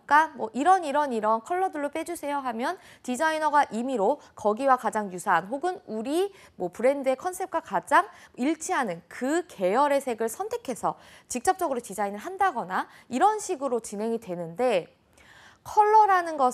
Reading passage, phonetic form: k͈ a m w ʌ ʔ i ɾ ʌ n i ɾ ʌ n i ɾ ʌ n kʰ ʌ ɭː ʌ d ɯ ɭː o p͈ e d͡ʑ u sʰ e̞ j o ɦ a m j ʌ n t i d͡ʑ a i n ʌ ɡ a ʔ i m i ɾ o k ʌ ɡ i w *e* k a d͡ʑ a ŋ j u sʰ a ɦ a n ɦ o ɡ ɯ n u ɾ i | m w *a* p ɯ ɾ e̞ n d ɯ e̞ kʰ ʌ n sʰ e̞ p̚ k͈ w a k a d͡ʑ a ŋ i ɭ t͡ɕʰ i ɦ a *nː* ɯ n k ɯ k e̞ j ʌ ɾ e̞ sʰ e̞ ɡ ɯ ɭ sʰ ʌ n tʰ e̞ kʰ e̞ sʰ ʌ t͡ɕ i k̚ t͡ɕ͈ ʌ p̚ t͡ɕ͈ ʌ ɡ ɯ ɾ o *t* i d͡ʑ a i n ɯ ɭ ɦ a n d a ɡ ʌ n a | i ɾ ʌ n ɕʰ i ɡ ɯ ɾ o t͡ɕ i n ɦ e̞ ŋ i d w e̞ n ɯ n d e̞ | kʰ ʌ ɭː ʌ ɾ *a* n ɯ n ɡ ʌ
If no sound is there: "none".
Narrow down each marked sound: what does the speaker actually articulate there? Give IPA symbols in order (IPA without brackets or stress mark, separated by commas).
a, ʌ, n, t, a